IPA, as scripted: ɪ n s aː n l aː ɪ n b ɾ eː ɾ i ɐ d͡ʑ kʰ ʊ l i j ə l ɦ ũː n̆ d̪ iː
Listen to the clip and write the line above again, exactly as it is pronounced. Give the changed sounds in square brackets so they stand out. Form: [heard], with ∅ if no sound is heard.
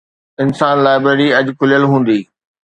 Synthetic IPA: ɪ n s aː n l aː ɪ [∅] b ɾ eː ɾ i ɐ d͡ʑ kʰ ʊ l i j ə l ɦ ũː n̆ d̪ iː